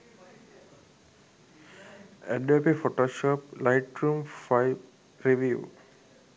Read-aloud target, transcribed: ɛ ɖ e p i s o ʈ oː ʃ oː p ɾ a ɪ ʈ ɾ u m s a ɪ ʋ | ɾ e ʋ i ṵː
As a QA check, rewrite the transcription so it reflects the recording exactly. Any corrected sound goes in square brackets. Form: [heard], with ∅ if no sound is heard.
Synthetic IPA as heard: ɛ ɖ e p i [f] o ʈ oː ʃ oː p [l] a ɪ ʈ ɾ u m [f] a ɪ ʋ | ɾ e ʋ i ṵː